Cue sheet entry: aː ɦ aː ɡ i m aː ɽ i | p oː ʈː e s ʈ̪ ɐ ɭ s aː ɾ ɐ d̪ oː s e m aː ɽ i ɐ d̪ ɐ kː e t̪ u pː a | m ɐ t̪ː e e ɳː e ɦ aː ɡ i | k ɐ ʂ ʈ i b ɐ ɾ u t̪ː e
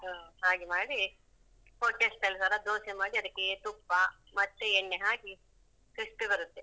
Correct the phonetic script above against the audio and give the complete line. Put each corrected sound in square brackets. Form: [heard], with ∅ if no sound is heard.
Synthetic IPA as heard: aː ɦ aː ɡ i m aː ɽ i | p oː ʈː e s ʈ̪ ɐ [l] s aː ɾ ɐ d̪ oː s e m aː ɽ i ɐ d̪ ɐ kː e t̪ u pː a | m ɐ t̪ː e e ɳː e ɦ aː ɡ i | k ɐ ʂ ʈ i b ɐ ɾ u t̪ː e

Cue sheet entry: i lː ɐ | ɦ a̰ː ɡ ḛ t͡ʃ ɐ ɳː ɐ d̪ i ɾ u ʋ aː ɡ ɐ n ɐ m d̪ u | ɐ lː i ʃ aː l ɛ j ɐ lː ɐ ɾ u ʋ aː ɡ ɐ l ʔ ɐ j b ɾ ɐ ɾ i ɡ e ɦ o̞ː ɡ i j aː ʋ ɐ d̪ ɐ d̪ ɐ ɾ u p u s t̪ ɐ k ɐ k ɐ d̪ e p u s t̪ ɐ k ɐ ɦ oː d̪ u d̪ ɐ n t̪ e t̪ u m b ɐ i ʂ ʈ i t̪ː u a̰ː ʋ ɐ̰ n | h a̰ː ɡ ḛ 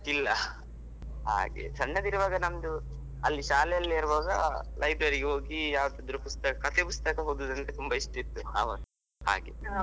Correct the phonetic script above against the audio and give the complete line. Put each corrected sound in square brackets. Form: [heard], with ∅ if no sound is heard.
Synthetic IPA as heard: i lː ɐ | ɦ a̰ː ɡ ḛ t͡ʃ ɐ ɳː ɐ d̪ i ɾ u ʋ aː ɡ ɐ n ɐ m d̪ u | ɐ lː i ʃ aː l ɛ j ɐ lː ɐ ɾ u ʋ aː ɡ ɐ l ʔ ɐ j b ɾ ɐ ɾ i ɡ e ɦ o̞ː ɡ i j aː ʋ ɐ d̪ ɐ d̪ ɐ ɾ u p u s t̪ ɐ k ɐ k ɐ [t̪] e p u s t̪ ɐ k ɐ ɦ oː d̪ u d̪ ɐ n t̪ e t̪ u m b ɐ i ʂ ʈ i t̪ː u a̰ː ʋ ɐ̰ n | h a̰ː ɡ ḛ

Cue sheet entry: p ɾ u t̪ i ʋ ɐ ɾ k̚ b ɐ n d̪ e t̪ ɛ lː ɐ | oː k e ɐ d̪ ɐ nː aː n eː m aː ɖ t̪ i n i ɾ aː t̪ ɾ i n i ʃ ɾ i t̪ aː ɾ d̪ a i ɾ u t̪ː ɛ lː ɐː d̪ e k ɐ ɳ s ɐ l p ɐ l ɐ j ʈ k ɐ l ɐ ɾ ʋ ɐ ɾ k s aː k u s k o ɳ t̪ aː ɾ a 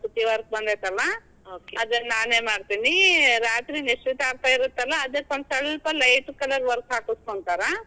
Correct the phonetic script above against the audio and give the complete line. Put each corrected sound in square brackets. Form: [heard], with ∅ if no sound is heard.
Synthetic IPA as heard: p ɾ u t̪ i ʋ ɐ ɾ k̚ b ɐ n d̪ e t̪ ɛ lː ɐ | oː k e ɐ d̪ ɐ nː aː n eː m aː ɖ t̪ i n i ɾ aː t̪ ɾ i n i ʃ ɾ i t̪ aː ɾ [t̪] a i ɾ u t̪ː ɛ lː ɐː d̪ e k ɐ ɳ s ɐ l p ɐ l ɐ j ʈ k ɐ l ɐ ɾ ʋ ɐ ɾ k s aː k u s k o ɳ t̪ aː ɾ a

